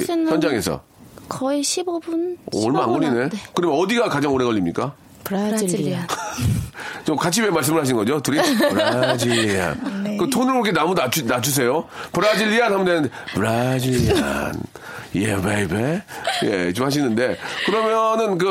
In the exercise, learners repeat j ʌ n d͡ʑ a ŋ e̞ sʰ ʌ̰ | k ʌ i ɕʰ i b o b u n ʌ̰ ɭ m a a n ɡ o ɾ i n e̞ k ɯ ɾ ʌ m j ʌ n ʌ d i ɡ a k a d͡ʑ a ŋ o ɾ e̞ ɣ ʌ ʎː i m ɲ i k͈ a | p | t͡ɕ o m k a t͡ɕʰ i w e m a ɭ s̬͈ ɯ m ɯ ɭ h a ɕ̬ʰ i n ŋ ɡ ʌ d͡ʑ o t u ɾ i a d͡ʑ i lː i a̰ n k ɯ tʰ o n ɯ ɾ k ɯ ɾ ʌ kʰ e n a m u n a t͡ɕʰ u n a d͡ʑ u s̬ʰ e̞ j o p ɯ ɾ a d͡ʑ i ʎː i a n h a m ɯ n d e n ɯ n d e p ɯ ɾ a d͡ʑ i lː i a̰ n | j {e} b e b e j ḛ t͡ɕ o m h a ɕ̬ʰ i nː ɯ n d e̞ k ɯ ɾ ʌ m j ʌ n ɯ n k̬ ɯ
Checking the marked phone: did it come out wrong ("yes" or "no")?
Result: no